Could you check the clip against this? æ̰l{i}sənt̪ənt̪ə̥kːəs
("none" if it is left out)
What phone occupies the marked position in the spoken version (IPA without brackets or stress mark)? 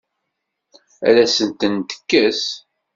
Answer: æ